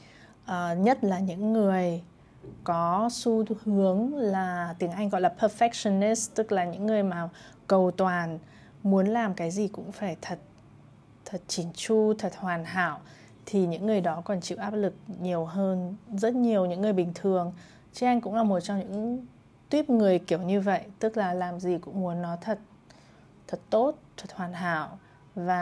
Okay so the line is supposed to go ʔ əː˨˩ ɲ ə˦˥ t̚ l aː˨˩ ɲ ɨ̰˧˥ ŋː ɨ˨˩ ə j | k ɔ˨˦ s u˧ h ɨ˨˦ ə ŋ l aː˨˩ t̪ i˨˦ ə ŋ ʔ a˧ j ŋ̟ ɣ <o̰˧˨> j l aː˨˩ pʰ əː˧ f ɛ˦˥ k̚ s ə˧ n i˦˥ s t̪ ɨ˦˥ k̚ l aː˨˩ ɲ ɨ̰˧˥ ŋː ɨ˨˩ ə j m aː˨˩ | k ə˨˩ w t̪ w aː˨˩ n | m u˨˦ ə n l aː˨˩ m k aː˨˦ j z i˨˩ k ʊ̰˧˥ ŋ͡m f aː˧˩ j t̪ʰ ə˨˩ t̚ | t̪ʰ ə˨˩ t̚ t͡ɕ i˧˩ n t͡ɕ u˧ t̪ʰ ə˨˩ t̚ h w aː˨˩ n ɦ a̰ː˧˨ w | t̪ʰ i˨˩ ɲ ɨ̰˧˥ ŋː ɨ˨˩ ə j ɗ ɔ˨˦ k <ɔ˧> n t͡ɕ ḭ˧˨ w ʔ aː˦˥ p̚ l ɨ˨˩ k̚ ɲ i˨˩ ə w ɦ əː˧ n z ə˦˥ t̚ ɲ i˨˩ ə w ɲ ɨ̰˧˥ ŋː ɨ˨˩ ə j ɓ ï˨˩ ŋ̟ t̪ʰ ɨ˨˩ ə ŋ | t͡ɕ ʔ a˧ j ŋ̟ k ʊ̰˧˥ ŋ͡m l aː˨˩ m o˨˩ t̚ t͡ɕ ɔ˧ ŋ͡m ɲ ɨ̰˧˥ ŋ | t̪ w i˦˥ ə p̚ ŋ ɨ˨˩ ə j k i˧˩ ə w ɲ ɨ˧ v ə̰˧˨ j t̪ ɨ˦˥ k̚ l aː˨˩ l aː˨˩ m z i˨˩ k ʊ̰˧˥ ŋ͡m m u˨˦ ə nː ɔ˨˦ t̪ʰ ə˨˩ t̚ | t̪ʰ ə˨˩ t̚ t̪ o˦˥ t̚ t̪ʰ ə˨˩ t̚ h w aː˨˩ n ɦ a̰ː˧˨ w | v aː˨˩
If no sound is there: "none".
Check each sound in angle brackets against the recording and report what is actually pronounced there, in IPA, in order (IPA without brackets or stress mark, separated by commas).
ɔ̰˧˨, ɔ˨˩